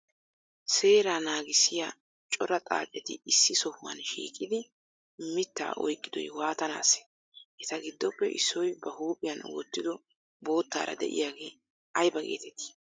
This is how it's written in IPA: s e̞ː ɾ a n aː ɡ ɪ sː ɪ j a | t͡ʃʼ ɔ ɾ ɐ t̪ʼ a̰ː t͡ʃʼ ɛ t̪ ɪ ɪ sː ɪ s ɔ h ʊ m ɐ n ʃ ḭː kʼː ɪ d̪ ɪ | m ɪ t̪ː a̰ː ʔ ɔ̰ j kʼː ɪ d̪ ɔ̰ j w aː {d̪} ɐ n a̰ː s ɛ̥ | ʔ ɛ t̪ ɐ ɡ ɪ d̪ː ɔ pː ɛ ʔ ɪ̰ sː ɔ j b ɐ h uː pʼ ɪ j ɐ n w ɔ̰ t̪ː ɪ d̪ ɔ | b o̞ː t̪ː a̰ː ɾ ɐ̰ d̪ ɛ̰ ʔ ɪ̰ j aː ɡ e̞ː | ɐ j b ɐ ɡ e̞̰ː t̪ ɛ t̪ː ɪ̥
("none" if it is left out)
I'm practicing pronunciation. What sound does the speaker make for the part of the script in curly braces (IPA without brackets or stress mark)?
t̪